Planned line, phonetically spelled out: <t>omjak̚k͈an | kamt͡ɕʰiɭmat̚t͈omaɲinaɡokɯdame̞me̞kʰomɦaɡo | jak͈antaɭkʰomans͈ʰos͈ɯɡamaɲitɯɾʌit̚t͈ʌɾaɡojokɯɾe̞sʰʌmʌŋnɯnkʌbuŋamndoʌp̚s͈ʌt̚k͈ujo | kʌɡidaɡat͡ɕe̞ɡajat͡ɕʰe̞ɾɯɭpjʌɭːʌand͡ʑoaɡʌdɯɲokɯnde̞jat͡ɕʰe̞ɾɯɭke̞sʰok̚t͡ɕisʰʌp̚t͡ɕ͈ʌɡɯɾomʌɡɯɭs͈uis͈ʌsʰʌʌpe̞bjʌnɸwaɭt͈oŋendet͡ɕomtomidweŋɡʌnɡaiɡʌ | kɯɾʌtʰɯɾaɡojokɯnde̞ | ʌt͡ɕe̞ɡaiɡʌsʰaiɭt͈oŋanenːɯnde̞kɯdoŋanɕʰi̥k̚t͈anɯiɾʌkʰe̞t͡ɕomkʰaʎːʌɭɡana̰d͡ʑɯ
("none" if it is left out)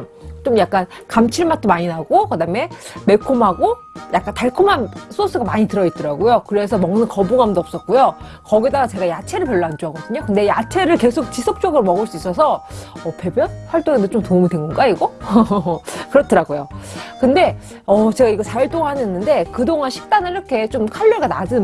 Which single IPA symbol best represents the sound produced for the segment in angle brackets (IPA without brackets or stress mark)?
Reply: t͡ɕ